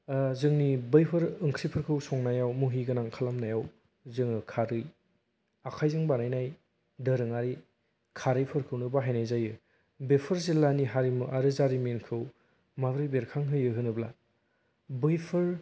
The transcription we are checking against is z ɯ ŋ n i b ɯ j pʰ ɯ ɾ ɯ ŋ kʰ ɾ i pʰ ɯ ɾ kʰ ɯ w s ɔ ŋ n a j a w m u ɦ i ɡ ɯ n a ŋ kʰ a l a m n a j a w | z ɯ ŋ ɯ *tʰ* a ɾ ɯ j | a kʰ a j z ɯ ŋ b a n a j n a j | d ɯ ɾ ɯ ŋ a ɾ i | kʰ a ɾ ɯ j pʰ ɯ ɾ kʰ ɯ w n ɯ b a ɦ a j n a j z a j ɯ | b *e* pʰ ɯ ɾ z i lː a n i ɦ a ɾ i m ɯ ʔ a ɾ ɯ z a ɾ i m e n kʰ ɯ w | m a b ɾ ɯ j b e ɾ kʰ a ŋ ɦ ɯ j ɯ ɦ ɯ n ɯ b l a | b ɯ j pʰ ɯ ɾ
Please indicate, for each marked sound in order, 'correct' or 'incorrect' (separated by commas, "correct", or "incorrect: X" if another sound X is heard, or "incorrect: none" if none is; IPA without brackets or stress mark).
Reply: incorrect: kʰ, correct